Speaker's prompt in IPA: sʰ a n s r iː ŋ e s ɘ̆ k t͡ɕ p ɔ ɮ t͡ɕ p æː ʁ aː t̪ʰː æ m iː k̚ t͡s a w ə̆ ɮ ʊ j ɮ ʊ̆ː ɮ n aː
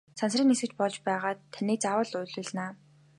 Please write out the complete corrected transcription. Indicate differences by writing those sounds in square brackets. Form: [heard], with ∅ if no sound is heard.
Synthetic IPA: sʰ a n s r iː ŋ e s ɘ̆ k t͡ɕ p ɔ ɮ t͡ɕ p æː ʁ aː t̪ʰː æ [n] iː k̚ t͡s a w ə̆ ɮ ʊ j ɮ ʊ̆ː ɮ n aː